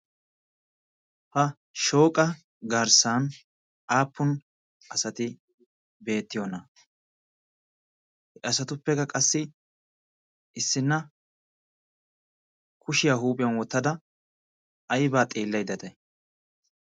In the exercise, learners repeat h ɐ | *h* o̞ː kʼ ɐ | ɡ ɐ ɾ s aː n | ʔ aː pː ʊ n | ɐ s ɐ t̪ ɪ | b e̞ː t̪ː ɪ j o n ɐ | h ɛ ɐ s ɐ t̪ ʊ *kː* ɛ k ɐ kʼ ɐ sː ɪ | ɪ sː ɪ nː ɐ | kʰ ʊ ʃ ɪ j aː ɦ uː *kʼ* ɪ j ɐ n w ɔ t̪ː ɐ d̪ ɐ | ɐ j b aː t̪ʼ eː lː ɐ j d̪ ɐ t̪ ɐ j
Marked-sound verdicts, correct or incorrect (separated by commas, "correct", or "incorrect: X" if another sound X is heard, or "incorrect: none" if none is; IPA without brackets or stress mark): incorrect: ʃ, incorrect: pː, incorrect: pʼ